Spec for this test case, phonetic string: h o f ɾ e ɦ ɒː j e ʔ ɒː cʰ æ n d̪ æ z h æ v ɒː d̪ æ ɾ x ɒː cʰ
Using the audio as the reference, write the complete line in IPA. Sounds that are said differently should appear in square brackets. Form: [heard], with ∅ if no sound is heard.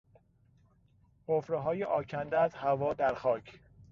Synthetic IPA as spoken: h o f ɾ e ɦ ɒː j e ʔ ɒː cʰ æ n d̪ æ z h æ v ɒː d̪ æ ɾ x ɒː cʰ

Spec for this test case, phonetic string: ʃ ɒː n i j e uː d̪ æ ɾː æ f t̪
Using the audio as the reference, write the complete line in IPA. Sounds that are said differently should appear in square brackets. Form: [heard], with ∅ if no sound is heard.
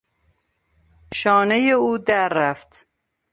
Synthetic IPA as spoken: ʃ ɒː n [e] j e uː d̪ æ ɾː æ f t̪

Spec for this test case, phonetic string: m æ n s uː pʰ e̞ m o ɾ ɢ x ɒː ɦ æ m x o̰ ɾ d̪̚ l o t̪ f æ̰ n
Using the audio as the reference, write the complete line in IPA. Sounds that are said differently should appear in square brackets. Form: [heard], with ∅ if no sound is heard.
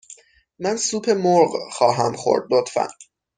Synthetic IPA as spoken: m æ n s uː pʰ e̞ m o ɾ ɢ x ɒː ɦ æ m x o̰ ɾ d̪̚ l o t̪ f æ̰ n

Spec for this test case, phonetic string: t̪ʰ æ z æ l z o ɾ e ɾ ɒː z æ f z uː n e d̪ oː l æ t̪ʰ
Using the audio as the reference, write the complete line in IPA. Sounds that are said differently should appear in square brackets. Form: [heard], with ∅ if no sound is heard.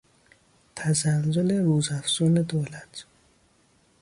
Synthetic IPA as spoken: t̪ʰ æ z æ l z o [l] e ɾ [uː] z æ f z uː n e d̪ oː l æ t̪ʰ

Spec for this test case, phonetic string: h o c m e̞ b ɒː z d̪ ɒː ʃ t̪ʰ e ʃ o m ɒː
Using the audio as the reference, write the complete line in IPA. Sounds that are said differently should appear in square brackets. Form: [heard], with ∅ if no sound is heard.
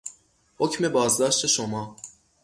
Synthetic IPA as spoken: h o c m e̞ b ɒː z d̪ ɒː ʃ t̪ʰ e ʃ o m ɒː

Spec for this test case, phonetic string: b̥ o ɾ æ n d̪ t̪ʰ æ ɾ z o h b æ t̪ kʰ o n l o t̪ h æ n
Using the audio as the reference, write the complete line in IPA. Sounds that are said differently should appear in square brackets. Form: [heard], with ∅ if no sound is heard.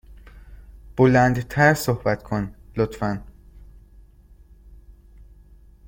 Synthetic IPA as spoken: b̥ o [l] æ n d̪ t̪ʰ æ ɾ [s] o h b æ t̪ kʰ o n l o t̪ [f] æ n

